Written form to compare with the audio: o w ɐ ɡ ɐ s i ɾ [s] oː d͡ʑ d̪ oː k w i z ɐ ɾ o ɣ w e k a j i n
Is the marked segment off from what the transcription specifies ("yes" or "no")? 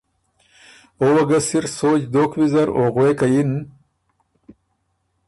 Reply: no